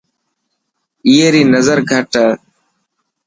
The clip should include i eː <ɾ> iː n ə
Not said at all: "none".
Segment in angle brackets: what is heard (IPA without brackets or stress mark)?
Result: ɾ